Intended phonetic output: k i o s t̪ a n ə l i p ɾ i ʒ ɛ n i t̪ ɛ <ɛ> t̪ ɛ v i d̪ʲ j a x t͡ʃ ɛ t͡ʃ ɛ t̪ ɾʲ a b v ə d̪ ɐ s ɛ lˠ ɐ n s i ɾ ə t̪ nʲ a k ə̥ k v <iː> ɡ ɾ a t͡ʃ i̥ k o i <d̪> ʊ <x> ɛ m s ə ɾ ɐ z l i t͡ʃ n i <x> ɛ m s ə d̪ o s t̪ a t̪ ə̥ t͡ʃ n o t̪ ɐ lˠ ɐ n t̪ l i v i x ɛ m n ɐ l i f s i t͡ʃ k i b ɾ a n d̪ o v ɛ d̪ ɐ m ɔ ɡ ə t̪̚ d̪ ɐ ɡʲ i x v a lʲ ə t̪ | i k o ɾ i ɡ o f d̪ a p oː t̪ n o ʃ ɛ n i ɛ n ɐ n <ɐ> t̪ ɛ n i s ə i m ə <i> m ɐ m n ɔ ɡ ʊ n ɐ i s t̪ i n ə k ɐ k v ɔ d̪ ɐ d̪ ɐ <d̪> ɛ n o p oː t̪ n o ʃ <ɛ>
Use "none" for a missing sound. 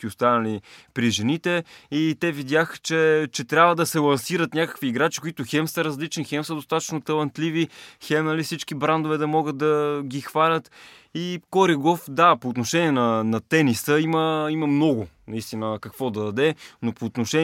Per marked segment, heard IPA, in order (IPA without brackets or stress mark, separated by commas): i, iː, t̪, x, x, ɐ, i, d̪, ɛ